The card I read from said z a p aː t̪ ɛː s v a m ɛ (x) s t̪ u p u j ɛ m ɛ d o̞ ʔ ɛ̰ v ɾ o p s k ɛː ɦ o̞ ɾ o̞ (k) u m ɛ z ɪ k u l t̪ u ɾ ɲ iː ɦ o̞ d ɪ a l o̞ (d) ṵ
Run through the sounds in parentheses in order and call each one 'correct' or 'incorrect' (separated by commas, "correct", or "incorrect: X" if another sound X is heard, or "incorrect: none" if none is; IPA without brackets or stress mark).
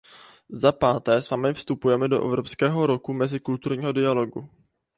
incorrect: f, correct, incorrect: ɡ